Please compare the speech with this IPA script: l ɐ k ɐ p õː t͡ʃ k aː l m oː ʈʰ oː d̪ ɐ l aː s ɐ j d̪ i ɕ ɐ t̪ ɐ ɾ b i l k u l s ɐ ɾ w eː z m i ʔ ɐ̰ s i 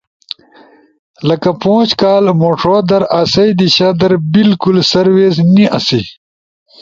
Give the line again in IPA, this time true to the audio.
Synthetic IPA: l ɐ k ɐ p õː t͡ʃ k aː l m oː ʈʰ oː d̪ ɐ ɾ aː s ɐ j d̪ i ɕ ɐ d̪ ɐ ɾ b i l k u l s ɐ ɾ w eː z n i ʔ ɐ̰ s i